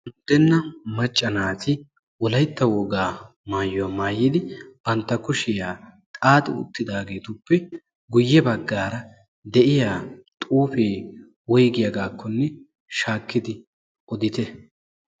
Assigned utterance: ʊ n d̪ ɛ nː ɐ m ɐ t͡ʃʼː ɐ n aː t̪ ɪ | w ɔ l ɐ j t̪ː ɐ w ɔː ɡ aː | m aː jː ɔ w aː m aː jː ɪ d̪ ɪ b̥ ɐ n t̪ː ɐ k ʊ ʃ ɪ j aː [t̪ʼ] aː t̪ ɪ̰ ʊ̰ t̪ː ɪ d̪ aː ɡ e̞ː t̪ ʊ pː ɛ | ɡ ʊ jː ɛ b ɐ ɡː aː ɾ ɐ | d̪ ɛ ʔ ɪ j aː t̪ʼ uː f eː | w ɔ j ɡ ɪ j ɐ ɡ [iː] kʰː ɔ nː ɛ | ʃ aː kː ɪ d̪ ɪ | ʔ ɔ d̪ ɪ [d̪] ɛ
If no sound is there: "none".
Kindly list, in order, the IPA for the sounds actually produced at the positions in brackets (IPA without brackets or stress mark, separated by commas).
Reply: t̪ʼ, aː, t̪